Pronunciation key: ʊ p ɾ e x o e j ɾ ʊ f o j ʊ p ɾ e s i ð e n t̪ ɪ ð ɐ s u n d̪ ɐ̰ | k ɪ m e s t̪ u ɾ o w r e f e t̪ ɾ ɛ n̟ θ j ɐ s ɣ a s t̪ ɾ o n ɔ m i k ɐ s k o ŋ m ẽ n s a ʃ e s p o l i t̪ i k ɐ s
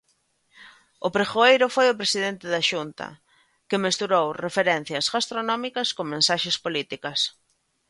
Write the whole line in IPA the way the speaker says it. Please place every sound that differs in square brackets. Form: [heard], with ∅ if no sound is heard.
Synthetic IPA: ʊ p ɾ e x o e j ɾ ʊ f o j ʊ p ɾ e s i ð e n t̪ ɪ ð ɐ [ʃ] u n [t̪] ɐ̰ | k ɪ m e s t̪ u ɾ o w r e f e [∅] ɾ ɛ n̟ θ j ɐ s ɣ a s t̪ ɾ o n ɔ m i k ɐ s k o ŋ m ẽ n s a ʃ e s p o l i t̪ i k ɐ s

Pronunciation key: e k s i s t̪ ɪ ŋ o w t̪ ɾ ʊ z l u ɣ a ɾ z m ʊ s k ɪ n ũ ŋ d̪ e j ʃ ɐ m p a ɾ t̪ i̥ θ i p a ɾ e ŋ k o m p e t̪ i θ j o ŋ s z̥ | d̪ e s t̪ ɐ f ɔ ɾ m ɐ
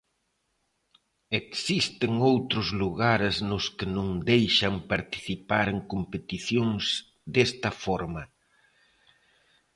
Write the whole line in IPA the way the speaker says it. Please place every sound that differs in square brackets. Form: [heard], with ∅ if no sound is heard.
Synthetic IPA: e k s i s t̪ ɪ ŋ o w t̪ ɾ ʊ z l u ɣ a ɾ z [n] ʊ s k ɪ n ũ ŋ d̪ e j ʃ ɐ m p a ɾ t̪ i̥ θ i p a ɾ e ŋ k o m p e t̪ i θ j o ŋ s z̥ | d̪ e s t̪ ɐ f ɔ ɾ m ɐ

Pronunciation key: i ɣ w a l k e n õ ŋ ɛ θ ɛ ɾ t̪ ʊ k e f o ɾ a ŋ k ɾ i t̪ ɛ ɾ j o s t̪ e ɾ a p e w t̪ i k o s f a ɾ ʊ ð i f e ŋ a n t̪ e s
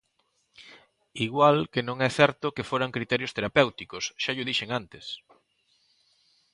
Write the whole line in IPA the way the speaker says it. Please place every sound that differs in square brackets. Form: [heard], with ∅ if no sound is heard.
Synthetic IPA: i ɣ w a l k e n õ ŋ ɛ θ ɛ ɾ t̪ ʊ k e f o ɾ a ŋ k ɾ i t̪ ɛ ɾ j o s t̪ e ɾ a p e w t̪ i k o s [ʃ] a [ʎ] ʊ ð i [ʃ] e ŋ a n t̪ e s

